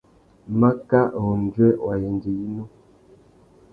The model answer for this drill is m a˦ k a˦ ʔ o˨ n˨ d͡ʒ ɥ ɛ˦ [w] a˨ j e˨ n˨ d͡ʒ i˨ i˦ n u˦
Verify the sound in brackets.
correct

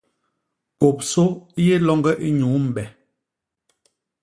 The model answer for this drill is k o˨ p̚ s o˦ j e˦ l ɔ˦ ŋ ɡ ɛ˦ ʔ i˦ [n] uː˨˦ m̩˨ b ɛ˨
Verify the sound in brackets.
incorrect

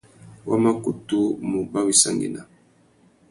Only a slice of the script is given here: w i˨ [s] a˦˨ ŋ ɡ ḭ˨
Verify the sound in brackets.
correct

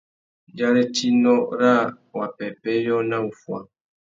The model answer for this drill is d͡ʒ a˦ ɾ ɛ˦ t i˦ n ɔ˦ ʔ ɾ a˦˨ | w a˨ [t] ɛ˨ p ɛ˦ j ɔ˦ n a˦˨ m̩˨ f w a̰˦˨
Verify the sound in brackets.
incorrect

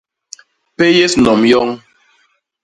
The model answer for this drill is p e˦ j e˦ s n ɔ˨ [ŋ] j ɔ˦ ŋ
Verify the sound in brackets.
incorrect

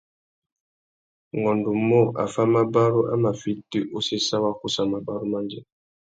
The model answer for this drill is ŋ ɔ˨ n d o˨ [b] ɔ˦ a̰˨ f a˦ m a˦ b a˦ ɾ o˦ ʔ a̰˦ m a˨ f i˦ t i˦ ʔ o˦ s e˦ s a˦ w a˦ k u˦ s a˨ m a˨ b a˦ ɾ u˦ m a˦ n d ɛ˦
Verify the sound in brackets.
incorrect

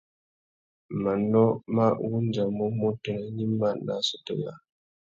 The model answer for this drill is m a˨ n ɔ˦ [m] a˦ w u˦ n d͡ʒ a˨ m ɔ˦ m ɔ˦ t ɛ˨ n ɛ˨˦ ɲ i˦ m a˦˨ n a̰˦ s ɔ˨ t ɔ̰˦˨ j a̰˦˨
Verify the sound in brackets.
correct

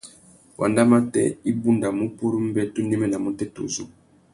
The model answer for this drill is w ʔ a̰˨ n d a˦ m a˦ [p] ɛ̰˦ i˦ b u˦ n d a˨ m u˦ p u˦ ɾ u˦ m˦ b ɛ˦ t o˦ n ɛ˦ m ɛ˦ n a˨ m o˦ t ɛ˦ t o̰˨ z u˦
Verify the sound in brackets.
incorrect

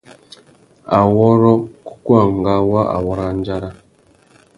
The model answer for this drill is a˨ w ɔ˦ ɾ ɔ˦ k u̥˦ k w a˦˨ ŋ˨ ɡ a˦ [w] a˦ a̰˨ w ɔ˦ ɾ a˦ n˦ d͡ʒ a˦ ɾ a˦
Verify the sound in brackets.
correct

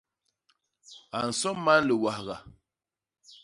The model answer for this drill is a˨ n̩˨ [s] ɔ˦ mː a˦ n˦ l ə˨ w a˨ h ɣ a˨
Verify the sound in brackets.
correct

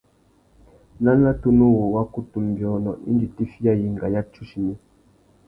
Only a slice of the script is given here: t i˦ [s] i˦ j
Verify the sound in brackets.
incorrect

